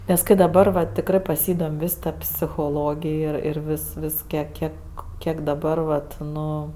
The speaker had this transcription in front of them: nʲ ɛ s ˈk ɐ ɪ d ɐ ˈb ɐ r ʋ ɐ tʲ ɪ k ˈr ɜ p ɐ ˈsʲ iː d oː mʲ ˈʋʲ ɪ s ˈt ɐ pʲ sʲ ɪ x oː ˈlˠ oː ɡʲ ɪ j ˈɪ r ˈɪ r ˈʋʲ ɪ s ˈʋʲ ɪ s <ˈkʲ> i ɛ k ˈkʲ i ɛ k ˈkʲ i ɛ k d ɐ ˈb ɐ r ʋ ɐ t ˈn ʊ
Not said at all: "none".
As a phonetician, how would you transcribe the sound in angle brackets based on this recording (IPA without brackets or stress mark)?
kʲ